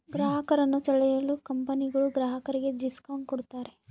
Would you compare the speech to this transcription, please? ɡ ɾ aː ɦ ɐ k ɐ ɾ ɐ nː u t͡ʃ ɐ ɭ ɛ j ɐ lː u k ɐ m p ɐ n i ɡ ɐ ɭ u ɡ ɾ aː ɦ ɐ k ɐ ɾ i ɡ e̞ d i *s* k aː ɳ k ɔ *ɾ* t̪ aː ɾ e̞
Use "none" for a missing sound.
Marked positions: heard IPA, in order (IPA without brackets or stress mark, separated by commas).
s, ɽ